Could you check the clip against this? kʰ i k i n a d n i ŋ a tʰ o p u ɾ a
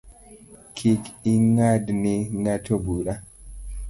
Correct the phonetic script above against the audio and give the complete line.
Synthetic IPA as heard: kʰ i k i ŋ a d n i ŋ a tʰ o b u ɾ a